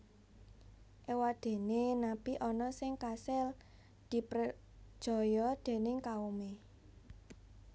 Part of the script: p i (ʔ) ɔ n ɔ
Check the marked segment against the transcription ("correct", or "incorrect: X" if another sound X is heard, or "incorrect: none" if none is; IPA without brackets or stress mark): correct